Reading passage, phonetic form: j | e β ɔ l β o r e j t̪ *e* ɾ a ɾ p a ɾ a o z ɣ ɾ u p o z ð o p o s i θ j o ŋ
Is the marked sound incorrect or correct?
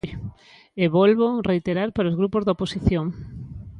correct